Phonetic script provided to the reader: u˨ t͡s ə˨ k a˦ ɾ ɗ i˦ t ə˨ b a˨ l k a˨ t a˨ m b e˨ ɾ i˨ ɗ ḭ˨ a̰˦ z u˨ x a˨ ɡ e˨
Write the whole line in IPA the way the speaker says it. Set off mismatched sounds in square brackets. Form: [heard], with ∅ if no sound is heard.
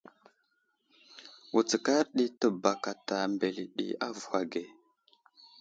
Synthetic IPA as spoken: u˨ t͡s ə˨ k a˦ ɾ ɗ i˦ t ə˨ b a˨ [∅] k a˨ t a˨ m b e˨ [l] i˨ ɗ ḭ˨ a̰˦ [v] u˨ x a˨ ɡ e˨